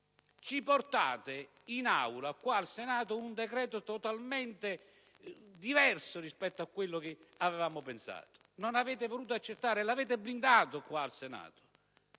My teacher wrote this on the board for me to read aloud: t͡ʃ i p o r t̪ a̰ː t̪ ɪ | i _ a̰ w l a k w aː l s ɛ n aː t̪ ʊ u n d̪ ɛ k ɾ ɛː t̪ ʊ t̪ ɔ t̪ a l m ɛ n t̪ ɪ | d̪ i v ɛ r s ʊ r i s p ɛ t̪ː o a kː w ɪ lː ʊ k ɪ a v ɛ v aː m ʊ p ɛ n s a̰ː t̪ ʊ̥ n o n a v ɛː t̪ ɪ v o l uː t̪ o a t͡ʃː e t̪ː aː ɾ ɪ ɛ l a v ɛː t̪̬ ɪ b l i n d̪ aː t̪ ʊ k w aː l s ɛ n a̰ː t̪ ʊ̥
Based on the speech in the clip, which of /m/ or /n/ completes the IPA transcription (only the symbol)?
n